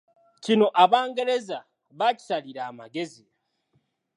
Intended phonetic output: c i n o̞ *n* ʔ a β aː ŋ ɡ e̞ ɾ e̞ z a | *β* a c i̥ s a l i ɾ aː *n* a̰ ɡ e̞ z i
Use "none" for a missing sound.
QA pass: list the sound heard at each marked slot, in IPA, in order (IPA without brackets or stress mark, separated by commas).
none, β, m